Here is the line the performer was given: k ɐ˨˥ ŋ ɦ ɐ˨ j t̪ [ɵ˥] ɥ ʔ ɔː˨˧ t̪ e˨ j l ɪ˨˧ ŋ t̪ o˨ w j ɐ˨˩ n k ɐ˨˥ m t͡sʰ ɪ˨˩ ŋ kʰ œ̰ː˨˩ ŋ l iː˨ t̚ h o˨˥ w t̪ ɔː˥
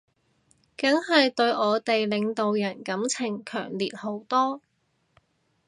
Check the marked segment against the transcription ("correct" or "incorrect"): incorrect